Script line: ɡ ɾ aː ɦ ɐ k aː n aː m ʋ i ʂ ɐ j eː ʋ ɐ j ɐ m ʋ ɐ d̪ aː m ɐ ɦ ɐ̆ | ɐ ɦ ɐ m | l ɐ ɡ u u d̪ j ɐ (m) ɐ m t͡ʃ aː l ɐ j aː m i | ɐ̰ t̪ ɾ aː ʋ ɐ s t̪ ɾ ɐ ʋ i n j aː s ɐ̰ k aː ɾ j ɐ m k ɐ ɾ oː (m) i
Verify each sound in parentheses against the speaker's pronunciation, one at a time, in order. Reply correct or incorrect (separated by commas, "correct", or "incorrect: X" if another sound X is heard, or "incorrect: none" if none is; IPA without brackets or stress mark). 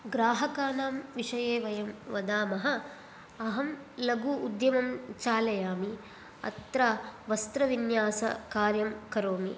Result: correct, correct